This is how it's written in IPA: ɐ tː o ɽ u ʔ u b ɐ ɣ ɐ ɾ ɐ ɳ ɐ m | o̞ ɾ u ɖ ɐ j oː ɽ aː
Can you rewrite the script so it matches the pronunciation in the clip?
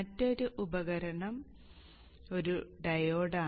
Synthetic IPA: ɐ tː o ɾ u ʔ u b ɐ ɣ ɐ ɾ ɐ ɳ ɐ m | o̞ ɾ u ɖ ɐ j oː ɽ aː